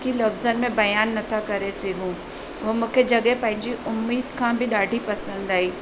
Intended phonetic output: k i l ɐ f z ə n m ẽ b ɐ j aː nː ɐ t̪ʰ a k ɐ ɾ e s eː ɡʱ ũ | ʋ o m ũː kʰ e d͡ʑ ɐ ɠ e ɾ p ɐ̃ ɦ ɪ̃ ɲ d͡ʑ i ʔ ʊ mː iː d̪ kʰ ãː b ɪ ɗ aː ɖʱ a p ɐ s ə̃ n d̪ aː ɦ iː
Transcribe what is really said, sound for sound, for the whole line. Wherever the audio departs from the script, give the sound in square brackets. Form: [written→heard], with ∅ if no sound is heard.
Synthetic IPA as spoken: k i l ɐ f z ə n m ẽ b ɐ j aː nː ɐ t̪ʰ a k ɐ ɾ e s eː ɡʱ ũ | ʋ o m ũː kʰ e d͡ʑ ɐ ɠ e [ɾ→∅] p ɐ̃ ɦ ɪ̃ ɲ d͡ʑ i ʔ ʊ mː iː d̪ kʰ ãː b ɪ ɗ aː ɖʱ [a→i] p ɐ s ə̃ n d̪ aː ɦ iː

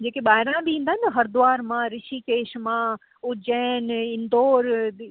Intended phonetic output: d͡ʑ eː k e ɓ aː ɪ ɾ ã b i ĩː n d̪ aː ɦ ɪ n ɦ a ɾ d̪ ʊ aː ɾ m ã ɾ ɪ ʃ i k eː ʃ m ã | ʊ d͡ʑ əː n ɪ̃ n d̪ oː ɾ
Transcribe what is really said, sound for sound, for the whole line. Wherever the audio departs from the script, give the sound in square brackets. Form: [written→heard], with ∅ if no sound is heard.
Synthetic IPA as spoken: d͡ʑ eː k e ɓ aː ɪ ɾ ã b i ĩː n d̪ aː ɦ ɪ n ɦ [a→ɐ] ɾ d̪ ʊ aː ɾ m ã ɾ ɪ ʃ i k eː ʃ m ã | ʊ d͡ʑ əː n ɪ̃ n d̪ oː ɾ

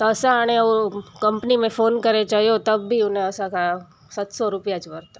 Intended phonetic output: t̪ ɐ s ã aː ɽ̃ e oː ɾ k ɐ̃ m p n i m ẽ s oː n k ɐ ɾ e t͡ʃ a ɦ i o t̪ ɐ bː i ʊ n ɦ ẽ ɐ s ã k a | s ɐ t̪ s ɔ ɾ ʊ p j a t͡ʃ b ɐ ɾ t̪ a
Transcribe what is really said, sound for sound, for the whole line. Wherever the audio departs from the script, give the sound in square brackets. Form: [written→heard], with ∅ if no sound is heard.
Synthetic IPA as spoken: t̪ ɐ s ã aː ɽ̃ e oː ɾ k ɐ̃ m p n i m ẽ [s→f] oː n k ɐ ɾ e t͡ʃ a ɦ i o t̪ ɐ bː i ʊ n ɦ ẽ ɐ s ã k a | s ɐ t̪ s ɔ ɾ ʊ p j a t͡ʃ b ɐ ɾ t̪ a

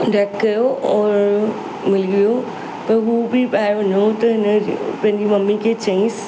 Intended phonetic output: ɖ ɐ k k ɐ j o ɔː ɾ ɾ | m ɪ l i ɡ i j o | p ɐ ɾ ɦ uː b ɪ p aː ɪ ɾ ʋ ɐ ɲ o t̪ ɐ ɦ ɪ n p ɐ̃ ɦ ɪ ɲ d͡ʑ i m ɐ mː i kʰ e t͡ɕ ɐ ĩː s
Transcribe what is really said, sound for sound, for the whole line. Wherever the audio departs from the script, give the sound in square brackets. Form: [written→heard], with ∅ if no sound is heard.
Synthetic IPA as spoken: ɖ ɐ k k ɐ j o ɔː ɾ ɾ | m ɪ l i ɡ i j o | p ɐ ɾ ɦ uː b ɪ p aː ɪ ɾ ʋ ɐ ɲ o t̪ ɐ ɦ ɪ n p ɐ̃ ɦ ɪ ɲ d͡ʑ i m ɐ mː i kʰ e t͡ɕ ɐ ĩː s

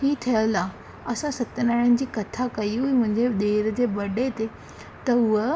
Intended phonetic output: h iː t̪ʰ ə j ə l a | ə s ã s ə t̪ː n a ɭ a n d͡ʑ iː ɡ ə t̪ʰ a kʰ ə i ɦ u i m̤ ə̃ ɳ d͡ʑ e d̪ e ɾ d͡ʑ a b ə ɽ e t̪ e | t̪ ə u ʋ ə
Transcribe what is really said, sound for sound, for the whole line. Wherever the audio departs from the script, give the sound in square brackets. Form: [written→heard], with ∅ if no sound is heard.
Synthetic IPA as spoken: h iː t̪ʰ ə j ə l a | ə s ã s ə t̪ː n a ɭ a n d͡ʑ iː [ɡ→k] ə t̪ʰ a [kʰ→k] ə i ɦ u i m̤ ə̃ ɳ d͡ʑ e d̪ e ɾ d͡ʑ [a→e] b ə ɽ e t̪ e | t̪ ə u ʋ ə

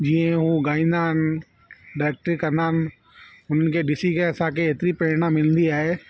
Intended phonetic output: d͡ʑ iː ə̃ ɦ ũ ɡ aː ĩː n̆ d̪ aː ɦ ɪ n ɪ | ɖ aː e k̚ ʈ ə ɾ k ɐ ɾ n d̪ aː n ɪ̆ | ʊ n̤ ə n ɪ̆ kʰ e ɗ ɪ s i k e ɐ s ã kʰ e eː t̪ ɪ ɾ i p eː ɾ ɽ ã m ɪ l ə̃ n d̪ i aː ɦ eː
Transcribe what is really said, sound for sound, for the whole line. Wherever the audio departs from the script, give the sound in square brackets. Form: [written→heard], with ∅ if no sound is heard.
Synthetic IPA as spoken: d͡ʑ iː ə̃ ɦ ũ ɡ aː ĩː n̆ d̪ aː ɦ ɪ n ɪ | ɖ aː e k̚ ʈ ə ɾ k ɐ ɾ n d̪ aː n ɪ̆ | ʊ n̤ ə n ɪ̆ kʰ e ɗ ɪ s i k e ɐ s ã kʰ e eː t̪ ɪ ɾ i p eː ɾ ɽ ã m ɪ l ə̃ n d̪ i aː ɦ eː

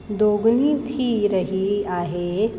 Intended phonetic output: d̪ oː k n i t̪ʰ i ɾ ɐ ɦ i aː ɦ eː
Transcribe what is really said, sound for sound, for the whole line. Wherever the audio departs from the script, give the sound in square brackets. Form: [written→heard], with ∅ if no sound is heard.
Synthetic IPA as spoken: d̪ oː [k→ɡ] n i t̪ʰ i ɾ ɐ ɦ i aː ɦ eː

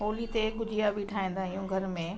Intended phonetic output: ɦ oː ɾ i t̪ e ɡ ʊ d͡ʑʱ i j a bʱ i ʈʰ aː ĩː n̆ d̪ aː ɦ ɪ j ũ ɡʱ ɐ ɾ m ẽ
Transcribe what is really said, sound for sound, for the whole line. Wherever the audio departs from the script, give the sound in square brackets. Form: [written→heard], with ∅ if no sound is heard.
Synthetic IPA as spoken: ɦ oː [ɾ→l] i t̪ e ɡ ʊ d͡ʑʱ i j a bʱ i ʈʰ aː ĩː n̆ d̪ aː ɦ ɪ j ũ ɡʱ ɐ ɾ m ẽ

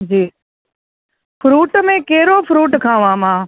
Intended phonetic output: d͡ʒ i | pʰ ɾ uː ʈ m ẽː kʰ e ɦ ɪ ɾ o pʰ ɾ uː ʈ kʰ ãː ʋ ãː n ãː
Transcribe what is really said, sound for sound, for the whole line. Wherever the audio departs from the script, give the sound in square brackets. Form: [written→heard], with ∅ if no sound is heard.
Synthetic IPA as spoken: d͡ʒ [i→iː] | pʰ ɾ uː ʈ m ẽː [kʰ→k] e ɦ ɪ ɾ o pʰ ɾ uː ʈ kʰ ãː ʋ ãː [n→m] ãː

